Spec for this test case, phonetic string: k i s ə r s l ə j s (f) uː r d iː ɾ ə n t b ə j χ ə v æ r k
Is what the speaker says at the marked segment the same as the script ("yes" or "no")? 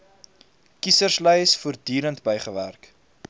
yes